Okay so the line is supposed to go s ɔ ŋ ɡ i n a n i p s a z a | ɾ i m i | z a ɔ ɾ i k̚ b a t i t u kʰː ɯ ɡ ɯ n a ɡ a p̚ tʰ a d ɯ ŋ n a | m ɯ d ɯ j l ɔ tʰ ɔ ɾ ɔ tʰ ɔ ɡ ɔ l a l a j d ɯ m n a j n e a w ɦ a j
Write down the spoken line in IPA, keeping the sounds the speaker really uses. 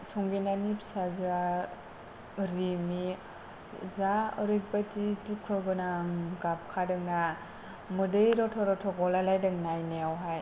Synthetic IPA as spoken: s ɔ ŋ ɡ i n a n i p s a z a | ɾ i m i | z a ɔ ɾ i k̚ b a t i t u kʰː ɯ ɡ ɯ n a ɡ a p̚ kʰ a d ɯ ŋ n a | m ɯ d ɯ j ɾ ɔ tʰ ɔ ɾ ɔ tʰ ɔ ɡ ɔ l a l a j d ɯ ŋ n a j n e a w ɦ a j